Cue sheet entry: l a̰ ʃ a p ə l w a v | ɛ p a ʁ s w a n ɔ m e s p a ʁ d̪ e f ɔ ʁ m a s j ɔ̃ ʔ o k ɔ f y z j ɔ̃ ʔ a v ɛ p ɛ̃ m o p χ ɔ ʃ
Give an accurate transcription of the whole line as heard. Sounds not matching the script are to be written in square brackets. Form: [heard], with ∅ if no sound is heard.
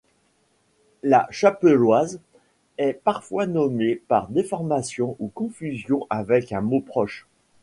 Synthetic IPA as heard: l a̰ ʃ a p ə l w a [z] | ɛ p a ʁ [f] w a n ɔ m e [∅] p a ʁ d̪ e f ɔ ʁ m a s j ɔ̃ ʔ [u] k [ɔ̃] f y z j ɔ̃ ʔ a v ɛ [k] ɛ̃ m o p χ ɔ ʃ